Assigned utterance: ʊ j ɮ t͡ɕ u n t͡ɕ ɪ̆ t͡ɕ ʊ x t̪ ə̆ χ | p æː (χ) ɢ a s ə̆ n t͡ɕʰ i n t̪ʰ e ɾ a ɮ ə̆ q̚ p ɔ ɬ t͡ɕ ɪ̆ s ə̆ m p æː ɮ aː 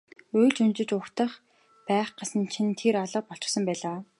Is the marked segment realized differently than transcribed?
no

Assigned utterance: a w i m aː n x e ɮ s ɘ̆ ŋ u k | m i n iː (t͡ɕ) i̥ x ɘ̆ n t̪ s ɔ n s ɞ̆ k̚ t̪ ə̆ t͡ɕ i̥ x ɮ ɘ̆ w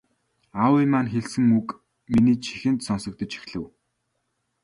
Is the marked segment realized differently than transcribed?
yes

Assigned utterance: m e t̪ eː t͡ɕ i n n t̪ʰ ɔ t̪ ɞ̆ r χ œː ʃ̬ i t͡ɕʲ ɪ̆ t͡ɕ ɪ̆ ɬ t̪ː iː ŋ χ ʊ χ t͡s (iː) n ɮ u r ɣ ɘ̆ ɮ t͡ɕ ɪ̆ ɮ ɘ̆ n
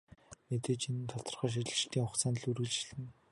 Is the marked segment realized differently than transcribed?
yes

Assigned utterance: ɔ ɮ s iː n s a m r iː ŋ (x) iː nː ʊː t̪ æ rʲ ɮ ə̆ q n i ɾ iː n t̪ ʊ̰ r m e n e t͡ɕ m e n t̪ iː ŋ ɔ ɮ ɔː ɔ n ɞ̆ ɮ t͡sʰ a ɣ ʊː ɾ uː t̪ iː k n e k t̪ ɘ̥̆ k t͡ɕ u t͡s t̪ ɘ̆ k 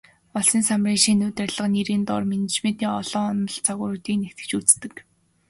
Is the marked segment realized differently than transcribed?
yes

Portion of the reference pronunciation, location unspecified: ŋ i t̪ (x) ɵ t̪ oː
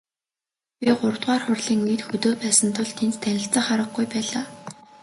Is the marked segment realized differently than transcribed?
no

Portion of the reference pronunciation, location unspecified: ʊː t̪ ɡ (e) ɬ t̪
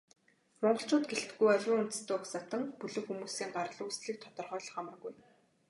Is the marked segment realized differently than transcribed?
no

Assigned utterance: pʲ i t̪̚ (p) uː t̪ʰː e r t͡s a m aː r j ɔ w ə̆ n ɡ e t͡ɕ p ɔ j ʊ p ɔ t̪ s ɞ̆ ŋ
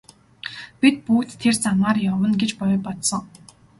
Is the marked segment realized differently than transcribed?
no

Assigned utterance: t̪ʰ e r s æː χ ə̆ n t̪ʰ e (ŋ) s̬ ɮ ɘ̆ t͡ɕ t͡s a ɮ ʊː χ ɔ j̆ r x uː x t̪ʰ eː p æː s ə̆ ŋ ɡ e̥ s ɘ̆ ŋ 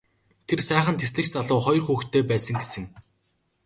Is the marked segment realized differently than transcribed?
yes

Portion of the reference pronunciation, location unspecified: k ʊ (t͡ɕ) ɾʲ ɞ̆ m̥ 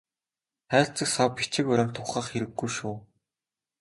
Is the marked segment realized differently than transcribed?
yes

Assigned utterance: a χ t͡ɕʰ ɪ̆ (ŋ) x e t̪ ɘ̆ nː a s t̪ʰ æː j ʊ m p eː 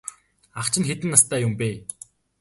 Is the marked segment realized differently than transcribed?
yes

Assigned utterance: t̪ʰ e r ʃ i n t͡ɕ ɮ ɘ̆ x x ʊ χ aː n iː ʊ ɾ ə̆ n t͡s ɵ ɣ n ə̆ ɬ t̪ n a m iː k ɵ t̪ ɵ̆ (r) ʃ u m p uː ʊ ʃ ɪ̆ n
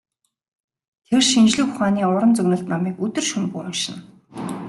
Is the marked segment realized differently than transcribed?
no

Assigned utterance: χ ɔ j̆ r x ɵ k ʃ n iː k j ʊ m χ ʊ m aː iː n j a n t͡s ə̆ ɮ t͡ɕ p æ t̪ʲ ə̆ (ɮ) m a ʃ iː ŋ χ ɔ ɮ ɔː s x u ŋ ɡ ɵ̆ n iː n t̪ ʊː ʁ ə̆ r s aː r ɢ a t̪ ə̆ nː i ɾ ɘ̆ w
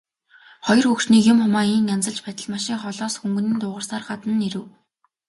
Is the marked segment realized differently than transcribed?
no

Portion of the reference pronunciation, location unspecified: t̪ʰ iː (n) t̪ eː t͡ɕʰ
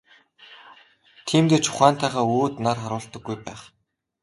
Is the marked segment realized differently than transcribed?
yes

